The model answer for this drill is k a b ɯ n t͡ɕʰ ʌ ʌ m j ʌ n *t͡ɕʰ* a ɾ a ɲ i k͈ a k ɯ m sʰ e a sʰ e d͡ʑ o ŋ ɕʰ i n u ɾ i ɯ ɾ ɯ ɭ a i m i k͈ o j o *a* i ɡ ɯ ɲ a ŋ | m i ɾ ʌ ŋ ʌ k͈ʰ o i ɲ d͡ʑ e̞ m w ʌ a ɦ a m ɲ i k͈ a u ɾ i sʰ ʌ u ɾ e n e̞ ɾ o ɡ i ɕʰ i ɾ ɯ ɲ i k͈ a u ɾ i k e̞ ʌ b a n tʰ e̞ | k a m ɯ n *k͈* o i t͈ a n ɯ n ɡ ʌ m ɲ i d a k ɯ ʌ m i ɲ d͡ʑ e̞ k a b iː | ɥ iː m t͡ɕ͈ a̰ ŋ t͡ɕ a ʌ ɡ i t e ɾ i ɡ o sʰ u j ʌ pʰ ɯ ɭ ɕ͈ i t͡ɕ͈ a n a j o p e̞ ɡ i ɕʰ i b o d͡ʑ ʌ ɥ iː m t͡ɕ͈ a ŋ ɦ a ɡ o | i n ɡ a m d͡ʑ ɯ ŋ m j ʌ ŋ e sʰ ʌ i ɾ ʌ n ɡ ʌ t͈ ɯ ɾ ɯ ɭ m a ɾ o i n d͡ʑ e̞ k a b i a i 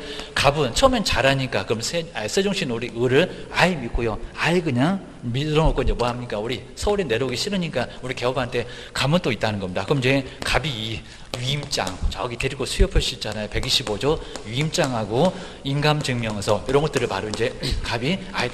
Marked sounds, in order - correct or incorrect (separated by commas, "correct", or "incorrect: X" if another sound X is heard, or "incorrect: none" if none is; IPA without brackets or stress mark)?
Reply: incorrect: t͡ɕ, correct, incorrect: t͈